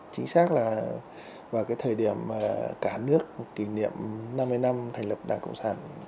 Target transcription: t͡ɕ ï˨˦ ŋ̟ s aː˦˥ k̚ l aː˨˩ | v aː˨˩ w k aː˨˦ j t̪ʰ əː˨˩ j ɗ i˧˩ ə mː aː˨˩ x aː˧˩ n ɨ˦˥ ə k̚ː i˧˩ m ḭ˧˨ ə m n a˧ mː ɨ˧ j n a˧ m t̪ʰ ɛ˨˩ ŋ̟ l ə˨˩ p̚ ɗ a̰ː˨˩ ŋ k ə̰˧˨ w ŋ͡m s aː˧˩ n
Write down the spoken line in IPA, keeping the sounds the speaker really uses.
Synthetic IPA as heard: t͡ɕ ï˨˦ ŋ̟ s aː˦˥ k̚ l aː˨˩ | v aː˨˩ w k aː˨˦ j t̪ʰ əː˨˩ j ɗ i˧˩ ə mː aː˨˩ k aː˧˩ n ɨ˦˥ ə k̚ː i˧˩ n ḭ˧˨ ə m n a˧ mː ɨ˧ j n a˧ m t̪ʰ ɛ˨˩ ŋ̟ l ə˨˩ p̚ ɗ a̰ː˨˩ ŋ k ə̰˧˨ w ŋ͡m s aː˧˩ n